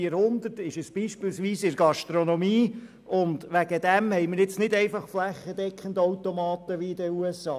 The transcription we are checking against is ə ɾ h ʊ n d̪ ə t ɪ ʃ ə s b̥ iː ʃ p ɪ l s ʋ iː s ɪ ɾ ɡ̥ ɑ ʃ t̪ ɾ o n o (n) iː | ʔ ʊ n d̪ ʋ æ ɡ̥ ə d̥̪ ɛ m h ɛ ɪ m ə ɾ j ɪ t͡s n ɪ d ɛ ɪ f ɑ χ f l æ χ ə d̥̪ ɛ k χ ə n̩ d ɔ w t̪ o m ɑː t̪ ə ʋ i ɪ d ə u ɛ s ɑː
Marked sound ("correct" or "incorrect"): incorrect